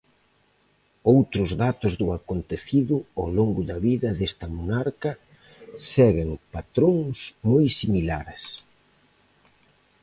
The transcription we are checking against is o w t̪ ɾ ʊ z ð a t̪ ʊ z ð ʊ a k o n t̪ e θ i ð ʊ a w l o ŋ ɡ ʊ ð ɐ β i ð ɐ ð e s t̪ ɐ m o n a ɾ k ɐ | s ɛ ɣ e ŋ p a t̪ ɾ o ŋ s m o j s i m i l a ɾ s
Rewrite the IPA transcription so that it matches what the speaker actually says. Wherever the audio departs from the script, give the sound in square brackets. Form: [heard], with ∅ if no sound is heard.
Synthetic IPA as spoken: o w t̪ ɾ ʊ z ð a t̪ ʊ z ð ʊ a k o n t̪ e θ i ð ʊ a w l o ŋ ɡ ʊ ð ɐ β i ð ɐ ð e s t̪ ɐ m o n a ɾ k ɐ | s ɛ ɣ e ŋ p a t̪ ɾ o ŋ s m o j s i m i l a ɾ s